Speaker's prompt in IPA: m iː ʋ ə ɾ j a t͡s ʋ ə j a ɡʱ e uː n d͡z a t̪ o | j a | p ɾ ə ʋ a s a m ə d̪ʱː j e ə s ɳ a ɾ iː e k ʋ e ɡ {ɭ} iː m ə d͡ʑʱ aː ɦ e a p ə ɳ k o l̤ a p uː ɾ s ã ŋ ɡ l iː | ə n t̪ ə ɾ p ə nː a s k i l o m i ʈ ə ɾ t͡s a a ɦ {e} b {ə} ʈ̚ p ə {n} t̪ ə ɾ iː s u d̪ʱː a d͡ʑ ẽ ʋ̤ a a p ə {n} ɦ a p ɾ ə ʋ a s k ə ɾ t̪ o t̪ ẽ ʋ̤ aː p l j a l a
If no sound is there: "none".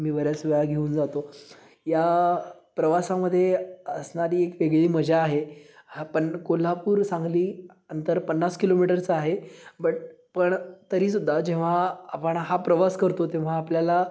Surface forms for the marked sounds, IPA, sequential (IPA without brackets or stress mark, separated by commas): ɭ, e, ə, ɳ, ɳ